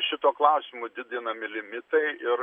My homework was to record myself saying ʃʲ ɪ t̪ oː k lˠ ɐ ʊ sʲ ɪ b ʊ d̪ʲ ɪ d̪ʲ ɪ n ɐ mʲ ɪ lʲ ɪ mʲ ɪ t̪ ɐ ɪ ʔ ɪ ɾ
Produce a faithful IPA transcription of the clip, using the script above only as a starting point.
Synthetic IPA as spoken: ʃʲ ɪ t̪ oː k lˠ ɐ ʊ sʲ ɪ m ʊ d̪ʲ ɪ d̪ʲ ɪ n ɐ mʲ ɪ lʲ ɪ mʲ ɪ t̪ ɐ ɪ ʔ ɪ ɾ